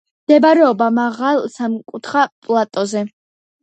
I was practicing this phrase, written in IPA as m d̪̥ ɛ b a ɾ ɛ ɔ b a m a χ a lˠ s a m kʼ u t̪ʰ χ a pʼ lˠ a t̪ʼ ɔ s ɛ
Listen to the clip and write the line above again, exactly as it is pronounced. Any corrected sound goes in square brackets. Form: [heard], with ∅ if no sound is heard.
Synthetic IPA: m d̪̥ ɛ b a ɾ ɛ ɔ b a m a [ʁ] a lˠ s a m kʼ u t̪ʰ χ a pʼ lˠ a t̪ʼ ɔ [z] ɛ